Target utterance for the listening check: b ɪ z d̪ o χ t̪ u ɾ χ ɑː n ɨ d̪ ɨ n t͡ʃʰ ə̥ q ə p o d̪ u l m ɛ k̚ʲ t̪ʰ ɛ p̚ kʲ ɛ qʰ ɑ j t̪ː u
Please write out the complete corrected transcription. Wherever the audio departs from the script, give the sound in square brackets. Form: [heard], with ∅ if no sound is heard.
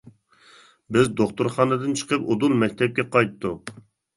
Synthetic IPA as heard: b ɪ z d̪ o χ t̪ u ɾ χ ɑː n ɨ d̪ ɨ n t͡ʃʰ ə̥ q ə p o d̪ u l m ɛ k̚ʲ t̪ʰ ɛ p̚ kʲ ɛ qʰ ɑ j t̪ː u